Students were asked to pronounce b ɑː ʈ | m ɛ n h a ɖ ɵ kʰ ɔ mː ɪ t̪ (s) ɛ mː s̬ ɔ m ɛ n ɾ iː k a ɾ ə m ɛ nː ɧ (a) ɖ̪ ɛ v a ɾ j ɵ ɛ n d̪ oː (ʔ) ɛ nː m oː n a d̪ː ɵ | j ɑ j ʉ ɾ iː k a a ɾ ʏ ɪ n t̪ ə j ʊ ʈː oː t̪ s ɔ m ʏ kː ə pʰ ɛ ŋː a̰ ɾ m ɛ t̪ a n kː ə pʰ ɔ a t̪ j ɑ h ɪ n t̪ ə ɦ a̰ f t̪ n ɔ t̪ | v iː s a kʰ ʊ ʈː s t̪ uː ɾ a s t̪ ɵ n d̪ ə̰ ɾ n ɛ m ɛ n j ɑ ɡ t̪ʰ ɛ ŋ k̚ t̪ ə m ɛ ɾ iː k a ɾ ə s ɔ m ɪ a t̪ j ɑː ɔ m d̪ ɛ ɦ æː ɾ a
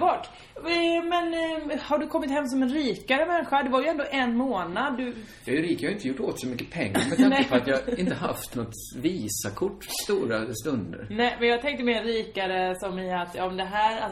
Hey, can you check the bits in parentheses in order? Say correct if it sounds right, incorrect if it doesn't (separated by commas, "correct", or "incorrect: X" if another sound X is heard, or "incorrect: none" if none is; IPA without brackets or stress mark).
incorrect: h, correct, correct